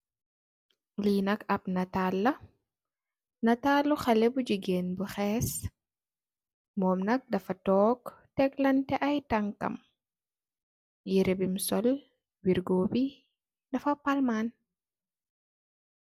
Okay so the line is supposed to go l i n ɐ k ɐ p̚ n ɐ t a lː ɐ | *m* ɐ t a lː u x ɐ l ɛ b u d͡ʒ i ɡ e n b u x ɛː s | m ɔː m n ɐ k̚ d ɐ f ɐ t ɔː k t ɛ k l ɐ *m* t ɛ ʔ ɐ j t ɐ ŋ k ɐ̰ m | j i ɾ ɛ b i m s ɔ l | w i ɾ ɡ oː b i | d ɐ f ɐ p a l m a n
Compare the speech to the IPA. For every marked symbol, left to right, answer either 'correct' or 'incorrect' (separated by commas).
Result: incorrect, incorrect